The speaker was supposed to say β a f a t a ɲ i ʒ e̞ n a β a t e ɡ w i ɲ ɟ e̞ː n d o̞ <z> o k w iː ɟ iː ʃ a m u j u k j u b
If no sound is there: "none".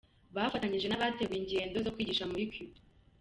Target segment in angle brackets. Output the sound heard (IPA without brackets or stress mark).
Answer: z